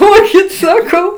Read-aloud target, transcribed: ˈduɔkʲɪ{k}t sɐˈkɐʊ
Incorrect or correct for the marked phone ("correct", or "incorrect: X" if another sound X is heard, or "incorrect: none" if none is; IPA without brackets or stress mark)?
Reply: incorrect: none